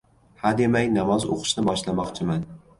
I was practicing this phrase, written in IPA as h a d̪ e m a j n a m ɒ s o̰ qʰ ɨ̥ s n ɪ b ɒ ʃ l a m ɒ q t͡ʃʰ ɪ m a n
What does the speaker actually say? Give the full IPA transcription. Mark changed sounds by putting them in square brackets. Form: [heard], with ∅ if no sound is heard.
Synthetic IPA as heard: h a d̪ e m a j n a m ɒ [z] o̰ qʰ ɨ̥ [ʃ] n ɪ b ɒ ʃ l a m ɒ q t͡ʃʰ ɪ m a n